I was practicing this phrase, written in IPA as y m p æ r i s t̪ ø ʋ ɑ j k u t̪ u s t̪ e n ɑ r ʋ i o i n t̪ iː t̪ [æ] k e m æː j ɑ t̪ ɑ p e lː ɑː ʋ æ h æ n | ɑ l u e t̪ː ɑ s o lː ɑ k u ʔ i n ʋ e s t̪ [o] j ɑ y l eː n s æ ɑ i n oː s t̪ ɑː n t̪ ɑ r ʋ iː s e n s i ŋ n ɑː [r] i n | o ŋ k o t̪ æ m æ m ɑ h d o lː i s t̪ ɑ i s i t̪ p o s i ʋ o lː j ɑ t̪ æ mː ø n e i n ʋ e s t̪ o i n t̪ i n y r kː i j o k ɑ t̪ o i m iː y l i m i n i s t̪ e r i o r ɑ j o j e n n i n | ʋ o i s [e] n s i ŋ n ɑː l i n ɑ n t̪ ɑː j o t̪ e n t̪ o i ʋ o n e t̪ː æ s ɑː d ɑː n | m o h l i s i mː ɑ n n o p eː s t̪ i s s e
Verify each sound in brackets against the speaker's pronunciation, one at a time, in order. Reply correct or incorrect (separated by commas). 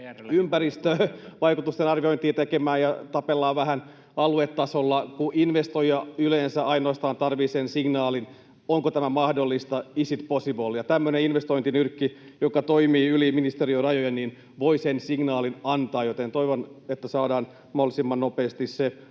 incorrect, correct, incorrect, correct